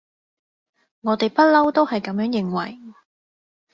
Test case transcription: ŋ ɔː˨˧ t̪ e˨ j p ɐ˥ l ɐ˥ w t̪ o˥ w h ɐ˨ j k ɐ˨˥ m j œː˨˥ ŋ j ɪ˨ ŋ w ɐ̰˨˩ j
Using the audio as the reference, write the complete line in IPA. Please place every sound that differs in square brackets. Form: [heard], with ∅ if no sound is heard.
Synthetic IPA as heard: ŋ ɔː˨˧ t̪ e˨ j p ɐ˥ l ɐ˥ w t̪ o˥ w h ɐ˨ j k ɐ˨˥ m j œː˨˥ ŋ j ɪ˨ ŋ w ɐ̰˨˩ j